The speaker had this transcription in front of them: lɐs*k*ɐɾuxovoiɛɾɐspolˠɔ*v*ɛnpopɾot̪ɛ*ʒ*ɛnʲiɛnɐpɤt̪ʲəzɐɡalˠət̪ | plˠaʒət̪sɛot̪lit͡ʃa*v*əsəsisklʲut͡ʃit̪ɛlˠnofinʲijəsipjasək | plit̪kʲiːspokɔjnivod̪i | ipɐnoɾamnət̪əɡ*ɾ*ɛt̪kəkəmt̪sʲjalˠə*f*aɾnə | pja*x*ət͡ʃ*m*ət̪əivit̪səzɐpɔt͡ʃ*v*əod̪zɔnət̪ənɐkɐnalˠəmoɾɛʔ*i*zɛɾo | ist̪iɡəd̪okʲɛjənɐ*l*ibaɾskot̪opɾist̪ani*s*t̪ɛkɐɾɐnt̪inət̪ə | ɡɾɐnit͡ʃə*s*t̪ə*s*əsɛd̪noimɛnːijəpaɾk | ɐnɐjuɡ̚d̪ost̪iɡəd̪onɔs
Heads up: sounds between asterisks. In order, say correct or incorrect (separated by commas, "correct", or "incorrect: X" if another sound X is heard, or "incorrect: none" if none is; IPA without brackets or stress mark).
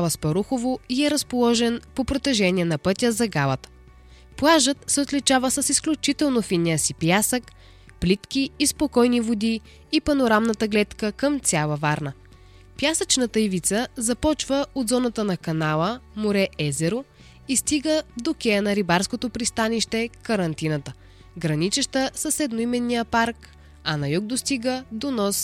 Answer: incorrect: p, incorrect: ʒ, correct, correct, incorrect: l, incorrect: v, incorrect: s, incorrect: n, correct, incorrect: ɛ, incorrect: ɾ, incorrect: ʃ, incorrect: ʃ, correct